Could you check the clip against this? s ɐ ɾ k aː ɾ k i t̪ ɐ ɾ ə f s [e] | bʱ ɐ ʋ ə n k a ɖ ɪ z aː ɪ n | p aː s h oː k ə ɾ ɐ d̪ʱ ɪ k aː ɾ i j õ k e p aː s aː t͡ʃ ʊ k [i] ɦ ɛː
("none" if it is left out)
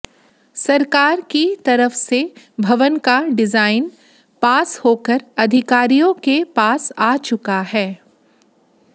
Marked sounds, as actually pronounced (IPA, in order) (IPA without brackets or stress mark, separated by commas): e, a